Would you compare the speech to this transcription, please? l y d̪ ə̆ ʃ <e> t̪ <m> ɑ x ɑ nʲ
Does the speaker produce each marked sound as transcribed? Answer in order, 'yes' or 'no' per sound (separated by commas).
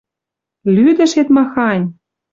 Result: yes, yes